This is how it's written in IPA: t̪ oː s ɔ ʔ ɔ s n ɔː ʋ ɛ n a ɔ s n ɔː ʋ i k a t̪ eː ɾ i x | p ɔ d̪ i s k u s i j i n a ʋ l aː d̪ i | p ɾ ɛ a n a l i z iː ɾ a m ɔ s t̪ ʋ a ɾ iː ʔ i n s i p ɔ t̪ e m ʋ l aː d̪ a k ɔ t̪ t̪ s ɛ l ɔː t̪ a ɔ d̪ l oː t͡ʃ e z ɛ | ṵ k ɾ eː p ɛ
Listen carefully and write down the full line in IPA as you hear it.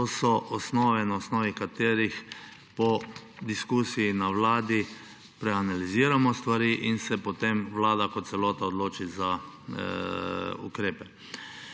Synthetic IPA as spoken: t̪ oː s ɔ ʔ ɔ s n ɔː ʋ ɛ n a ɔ s n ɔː ʋ i k a t̪ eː ɾ i x | p ɔ d̪ i s k u s i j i n a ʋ l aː d̪ i | p ɾ ɛ a n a l i z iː ɾ a m ɔ s t̪ ʋ a ɾ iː ʔ i n s ɛ p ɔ t̪ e m ʋ l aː d̪ a k ɔ t̪ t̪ s ɛ l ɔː t̪ a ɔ d̪ l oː t͡ʃ i z a | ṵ k ɾ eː p ɛ